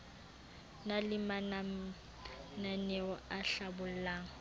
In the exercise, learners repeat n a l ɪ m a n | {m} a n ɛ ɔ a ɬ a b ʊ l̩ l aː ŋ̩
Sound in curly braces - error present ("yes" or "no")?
yes